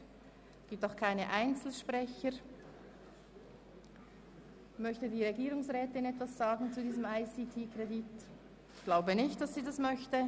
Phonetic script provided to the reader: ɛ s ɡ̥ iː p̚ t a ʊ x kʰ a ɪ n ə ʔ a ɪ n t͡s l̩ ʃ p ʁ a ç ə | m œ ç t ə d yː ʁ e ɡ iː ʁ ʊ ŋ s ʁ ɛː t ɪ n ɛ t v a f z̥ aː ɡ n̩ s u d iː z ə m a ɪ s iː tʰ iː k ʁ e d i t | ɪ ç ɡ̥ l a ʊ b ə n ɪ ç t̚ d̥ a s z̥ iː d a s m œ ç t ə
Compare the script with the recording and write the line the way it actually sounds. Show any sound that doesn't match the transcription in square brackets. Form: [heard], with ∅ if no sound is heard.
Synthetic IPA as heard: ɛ s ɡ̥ iː p̚ t a ʊ x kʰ a ɪ n ə ʔ a ɪ n t͡s l̩ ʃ p ʁ [ɛ] ç ə | m œ ç t ə d [iː] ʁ e ɡ iː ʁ ʊ ŋ s ʁ ɛː t ɪ n ɛ t v a [s] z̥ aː ɡ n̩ [t͡s] u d iː z ə m a ɪ s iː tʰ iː k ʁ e d i t | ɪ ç ɡ̥ l a ʊ b ə n ɪ ç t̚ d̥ a s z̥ iː d a s m œ ç t ə

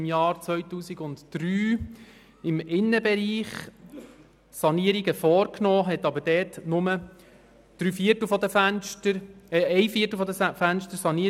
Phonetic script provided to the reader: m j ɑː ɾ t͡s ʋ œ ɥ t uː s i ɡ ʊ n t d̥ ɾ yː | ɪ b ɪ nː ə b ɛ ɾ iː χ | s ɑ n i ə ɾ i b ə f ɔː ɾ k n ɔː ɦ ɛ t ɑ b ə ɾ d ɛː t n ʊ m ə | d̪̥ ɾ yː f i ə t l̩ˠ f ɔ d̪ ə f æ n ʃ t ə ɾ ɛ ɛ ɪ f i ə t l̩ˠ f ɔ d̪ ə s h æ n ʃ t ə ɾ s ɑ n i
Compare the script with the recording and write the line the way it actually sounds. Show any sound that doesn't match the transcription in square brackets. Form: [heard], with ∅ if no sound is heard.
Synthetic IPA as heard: m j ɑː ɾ t͡s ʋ œ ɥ t uː s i ɡ ʊ n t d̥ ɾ yː | ɪ [m] ɪ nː ə b ɛ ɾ iː χ | s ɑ n i ə ɾ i [ɡ] ə f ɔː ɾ k n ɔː ɦ ɛ t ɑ b ə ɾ d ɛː t n ʊ m ə | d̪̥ ɾ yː f i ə t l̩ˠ f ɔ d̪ ə f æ n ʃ t ə ɾ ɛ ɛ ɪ f i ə t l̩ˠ f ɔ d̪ ə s [f] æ n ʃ t ə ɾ s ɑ n i

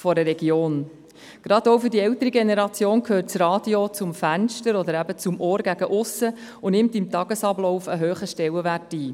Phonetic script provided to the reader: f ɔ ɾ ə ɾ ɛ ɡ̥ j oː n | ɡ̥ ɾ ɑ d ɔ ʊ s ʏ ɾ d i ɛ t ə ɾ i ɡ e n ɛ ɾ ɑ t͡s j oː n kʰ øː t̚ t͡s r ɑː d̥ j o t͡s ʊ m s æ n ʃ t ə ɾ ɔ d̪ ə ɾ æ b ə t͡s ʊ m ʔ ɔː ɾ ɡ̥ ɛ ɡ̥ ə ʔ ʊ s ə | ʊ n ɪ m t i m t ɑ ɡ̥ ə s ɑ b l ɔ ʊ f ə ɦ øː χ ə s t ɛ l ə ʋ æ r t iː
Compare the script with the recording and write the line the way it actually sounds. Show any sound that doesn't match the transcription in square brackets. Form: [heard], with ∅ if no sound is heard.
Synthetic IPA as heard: f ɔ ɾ ə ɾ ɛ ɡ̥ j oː n | ɡ̥ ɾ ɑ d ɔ ʊ [f] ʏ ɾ d i ɛ t ə ɾ i ɡ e n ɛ ɾ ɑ t͡s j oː n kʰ øː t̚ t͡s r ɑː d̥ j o t͡s ʊ m [f] æ n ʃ t ə ɾ ɔ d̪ ə ɾ æ b ə t͡s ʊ m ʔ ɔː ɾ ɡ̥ [æ] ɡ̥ ə ʔ ʊ s ə | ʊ n ɪ m t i m t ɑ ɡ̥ ə s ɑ b l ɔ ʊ f ə ɦ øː χ ə [ʃ] t ɛ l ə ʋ æ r t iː

